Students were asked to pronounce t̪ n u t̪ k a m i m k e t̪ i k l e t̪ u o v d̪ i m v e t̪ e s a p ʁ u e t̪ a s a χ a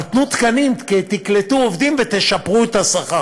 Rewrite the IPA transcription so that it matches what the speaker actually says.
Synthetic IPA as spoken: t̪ n u t̪ k a n i m k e t̪ i k l e t̪ u o v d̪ i m v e t̪ e ʃ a p ʁ u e t̪ a s a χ a